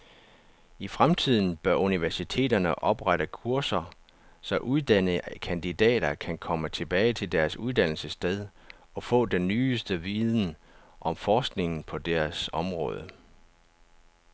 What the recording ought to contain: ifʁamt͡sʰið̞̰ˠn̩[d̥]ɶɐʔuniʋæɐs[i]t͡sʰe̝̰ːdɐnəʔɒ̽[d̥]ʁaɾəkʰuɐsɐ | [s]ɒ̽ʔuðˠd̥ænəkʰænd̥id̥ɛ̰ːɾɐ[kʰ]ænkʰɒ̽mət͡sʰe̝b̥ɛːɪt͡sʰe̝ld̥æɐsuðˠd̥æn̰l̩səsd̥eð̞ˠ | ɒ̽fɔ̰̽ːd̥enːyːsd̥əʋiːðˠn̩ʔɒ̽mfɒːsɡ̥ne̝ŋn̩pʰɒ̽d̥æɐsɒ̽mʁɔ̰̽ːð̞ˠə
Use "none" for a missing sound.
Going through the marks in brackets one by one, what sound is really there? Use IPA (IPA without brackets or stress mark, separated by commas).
b̥, i, b̥, s, kʰ